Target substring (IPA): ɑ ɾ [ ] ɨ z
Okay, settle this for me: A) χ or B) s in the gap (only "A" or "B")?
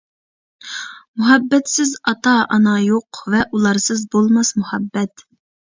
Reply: B